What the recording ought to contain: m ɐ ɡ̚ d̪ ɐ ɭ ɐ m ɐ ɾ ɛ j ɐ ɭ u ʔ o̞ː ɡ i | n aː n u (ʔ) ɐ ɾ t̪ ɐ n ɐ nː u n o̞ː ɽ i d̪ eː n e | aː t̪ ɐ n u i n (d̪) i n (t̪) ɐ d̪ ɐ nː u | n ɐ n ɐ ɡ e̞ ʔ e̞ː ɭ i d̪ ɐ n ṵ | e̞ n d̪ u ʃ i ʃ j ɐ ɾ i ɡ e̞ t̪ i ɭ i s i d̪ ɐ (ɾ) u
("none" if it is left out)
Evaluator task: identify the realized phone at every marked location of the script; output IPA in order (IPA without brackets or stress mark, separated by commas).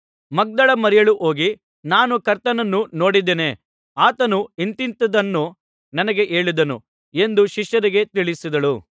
k, t̪, t̪, ɭ